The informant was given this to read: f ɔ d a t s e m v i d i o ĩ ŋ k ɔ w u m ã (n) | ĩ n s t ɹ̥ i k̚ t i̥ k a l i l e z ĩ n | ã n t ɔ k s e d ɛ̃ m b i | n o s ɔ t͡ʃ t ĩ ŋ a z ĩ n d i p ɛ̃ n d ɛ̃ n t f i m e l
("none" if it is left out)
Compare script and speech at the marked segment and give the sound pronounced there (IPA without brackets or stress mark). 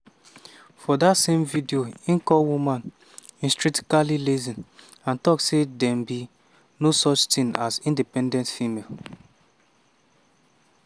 n